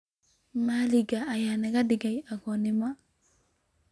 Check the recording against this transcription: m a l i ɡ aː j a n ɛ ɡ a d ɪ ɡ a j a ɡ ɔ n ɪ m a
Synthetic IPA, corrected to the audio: m a l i ɡ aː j a n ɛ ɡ a d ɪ ɡ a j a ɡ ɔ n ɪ m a